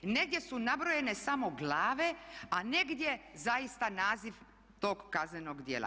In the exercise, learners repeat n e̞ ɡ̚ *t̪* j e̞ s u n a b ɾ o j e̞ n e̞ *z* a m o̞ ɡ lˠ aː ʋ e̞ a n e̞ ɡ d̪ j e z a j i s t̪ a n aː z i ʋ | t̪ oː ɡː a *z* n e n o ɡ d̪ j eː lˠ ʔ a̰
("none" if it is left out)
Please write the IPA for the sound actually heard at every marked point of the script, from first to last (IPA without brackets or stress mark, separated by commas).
d̪, s, z